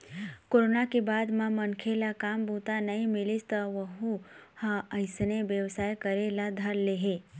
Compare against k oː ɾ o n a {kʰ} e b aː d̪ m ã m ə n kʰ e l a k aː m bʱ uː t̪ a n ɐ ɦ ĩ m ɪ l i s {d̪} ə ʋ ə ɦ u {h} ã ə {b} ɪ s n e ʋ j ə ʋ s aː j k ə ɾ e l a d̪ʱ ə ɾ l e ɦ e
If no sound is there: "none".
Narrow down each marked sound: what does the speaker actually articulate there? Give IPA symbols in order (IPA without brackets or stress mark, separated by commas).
k, t̪, h, none